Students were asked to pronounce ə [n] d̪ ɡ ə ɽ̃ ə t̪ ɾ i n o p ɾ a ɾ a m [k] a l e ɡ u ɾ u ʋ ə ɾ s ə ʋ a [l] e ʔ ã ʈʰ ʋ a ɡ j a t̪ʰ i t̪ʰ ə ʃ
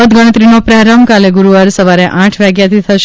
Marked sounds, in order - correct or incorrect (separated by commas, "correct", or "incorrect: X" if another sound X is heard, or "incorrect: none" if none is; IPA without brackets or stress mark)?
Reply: incorrect: none, correct, incorrect: ɾ